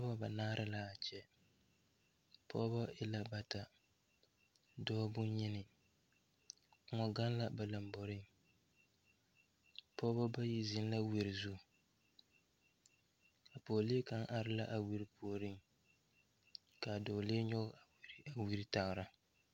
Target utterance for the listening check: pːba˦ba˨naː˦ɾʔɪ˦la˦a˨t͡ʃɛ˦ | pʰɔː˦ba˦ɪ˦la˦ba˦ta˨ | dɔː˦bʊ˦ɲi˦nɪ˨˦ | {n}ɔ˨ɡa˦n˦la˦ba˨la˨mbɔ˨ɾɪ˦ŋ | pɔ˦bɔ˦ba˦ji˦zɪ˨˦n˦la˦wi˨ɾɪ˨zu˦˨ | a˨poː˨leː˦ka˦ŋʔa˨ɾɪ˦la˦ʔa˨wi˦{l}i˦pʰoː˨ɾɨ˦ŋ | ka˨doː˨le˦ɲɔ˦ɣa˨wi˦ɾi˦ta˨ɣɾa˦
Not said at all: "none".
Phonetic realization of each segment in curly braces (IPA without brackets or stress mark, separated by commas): ŋ, ɾ